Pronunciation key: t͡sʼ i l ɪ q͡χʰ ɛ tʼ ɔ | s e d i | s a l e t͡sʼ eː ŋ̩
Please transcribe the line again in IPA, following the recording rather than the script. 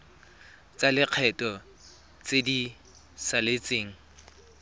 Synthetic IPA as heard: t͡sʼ a l ɪ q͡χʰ ɛ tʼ ɔ | t͡s e d i | s a l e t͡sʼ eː ŋ̩